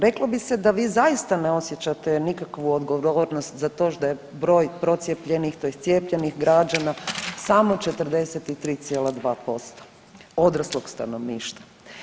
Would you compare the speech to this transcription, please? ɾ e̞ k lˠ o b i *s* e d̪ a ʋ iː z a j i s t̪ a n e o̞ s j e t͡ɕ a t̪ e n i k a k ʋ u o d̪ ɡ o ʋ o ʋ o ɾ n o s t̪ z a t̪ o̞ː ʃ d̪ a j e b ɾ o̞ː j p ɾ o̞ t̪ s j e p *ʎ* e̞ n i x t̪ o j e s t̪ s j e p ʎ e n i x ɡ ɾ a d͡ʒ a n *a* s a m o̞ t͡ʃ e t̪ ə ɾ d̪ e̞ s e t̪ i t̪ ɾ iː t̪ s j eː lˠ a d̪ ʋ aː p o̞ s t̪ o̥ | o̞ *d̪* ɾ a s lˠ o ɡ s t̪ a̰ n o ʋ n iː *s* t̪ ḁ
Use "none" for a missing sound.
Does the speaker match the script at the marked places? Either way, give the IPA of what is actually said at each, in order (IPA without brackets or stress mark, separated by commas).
s, ʎ, a, d̪, ʃ